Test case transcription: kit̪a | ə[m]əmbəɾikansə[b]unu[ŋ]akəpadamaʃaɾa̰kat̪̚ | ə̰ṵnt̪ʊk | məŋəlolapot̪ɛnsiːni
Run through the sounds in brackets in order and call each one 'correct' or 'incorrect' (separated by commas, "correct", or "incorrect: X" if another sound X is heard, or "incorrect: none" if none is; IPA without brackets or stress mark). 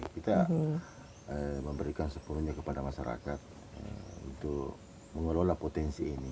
correct, incorrect: p, incorrect: ɲ